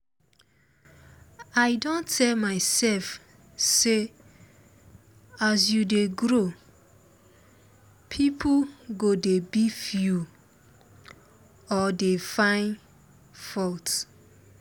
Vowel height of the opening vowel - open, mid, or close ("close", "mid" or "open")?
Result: open